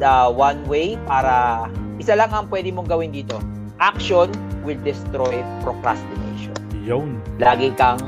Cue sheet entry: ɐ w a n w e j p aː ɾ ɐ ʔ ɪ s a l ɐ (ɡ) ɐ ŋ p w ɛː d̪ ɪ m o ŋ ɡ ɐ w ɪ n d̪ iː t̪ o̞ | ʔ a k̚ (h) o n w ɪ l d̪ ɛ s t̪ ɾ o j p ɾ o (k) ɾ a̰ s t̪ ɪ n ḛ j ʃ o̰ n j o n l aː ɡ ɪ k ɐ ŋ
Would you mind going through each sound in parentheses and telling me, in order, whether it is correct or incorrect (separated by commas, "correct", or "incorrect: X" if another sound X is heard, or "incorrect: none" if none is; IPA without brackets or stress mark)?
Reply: incorrect: ŋ, incorrect: ʃ, correct